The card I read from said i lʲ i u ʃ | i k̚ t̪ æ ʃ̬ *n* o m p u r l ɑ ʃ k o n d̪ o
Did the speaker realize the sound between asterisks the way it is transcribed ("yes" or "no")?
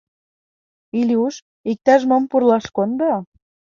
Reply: no